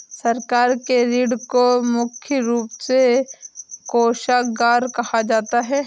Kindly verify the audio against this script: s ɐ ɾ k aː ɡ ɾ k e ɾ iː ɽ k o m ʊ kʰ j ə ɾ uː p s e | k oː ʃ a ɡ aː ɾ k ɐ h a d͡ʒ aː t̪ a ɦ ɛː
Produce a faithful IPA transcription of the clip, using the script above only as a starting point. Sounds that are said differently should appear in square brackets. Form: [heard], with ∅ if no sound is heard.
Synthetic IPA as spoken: s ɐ ɾ k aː [∅] ɾ k e ɾ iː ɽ k o m ʊ kʰ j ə ɾ uː p s e | k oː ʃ a ɡ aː ɾ k ɐ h a d͡ʒ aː t̪ a ɦ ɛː